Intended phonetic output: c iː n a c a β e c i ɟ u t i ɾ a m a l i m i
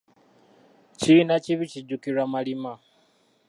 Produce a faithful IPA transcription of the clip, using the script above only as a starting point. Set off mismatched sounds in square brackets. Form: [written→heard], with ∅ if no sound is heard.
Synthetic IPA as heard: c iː n a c [a→i] β [e→i] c i ɟ u [t→k] i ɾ a m a l i m [i→a]